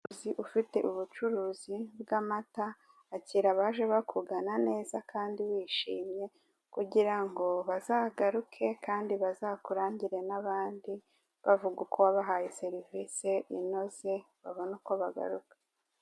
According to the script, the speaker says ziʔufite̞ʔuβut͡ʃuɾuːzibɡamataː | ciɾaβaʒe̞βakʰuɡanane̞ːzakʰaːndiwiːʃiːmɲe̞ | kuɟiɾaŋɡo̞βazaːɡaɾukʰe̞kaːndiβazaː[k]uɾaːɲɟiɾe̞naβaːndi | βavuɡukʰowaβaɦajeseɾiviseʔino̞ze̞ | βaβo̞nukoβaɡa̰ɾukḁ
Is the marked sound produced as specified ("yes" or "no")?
yes